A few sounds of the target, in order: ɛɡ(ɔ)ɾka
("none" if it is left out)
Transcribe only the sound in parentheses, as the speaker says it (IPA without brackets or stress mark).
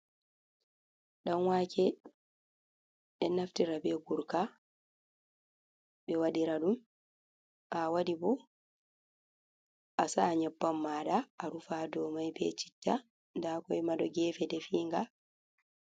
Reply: u